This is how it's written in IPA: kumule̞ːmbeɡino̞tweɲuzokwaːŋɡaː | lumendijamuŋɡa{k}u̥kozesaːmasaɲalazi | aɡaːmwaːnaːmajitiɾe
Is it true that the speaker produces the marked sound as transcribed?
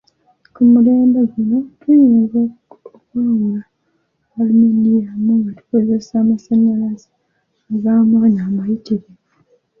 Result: no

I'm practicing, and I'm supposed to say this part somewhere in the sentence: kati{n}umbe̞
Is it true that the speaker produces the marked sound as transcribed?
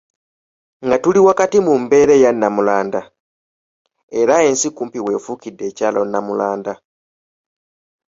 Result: no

